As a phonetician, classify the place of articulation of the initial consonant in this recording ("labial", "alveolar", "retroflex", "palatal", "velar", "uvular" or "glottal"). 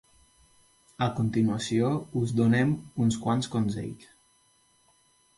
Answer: velar